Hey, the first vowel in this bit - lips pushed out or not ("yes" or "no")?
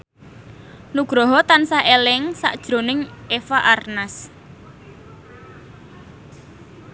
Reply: yes